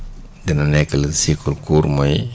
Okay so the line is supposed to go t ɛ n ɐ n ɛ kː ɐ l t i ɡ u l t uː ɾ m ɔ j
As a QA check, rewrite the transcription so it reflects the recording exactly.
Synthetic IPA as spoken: d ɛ n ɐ n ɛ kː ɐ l s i k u l k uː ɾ m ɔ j